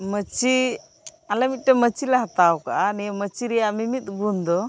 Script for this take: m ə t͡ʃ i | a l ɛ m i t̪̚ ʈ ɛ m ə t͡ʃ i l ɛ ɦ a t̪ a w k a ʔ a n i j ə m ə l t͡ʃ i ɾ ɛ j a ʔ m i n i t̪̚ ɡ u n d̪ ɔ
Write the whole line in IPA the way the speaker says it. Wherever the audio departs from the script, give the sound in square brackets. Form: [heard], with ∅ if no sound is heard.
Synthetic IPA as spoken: m ə t͡ʃ i | a l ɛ m i t̪̚ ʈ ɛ m ə t͡ʃ i l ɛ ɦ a t̪ a w k a ʔ a n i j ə m ə [∅] t͡ʃ i ɾ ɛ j a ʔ m i [m] i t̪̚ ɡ u n d̪ ɔ